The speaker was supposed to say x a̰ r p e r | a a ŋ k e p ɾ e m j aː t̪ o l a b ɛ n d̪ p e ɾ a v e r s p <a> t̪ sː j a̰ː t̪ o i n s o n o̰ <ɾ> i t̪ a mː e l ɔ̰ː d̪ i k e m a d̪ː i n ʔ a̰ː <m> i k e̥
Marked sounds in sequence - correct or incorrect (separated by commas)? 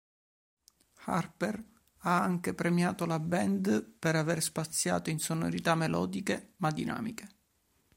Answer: correct, correct, correct